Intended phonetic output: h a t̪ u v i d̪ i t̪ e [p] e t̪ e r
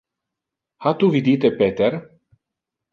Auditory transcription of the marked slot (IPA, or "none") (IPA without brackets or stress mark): p